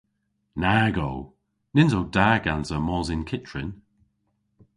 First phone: n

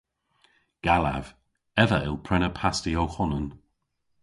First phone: ɡ̥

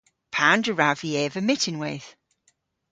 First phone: pʰ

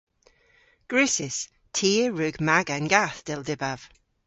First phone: ɡ̥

